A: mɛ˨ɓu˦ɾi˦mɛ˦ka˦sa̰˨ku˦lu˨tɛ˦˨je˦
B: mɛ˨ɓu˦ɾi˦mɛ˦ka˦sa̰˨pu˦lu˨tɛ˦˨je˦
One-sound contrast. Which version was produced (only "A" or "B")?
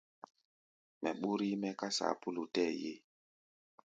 B